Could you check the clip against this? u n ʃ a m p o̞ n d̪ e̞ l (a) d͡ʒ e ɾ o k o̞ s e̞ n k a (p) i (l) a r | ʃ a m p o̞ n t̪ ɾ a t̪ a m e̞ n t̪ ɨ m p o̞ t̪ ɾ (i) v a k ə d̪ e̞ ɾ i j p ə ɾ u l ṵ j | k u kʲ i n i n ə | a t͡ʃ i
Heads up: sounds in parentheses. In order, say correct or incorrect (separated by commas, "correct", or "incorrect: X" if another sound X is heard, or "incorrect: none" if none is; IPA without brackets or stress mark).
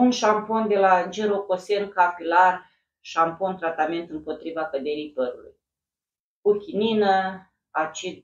correct, correct, correct, correct